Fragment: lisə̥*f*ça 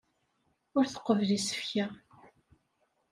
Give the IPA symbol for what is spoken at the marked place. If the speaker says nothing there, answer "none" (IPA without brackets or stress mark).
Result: f